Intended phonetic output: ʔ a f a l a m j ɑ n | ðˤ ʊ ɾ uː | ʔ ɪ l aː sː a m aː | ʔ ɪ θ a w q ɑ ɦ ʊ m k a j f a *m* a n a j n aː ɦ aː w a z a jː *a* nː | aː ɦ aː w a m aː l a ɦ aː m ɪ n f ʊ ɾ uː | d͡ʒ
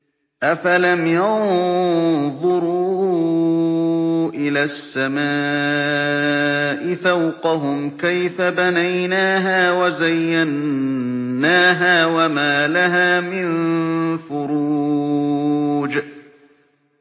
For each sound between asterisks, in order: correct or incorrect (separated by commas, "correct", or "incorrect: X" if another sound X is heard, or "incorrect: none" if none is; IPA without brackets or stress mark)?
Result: incorrect: b, correct